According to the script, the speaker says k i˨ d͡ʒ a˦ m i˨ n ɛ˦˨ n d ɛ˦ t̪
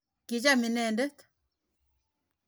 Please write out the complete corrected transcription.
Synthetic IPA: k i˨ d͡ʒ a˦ m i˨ n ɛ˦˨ n d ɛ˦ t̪